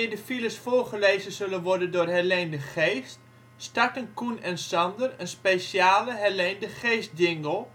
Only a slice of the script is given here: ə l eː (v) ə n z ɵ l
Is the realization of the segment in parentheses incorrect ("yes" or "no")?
yes